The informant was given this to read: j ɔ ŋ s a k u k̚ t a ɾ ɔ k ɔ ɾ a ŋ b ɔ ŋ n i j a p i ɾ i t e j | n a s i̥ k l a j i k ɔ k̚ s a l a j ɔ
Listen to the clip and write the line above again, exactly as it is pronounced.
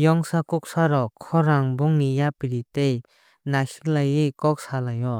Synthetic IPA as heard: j ɔ ŋ s a k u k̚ s a ɾ ɔ kʰ ɔ ɾ a ŋ b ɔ ŋ n i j a p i ɾ i t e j | n a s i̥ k l a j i k ɔ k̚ s a l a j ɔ